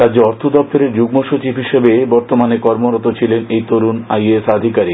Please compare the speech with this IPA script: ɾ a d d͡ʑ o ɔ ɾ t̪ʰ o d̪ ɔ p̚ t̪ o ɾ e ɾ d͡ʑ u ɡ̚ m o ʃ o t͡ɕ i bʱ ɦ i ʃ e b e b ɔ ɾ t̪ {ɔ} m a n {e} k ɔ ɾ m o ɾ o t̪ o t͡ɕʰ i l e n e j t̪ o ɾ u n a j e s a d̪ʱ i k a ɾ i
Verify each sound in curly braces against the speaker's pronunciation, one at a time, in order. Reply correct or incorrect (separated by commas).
incorrect, correct